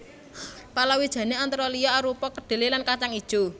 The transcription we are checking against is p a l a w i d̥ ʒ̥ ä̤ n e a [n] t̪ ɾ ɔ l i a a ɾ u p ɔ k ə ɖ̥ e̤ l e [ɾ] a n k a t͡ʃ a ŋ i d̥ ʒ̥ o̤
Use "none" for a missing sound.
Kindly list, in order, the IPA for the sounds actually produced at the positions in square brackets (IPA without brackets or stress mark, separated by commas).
n, l